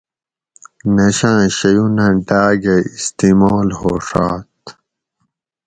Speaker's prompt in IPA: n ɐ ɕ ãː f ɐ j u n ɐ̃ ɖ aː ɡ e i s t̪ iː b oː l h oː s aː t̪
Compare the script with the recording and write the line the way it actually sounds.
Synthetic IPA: n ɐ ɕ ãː ɕ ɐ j u n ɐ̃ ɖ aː ɡ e i s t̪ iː m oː l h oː ʂ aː t̪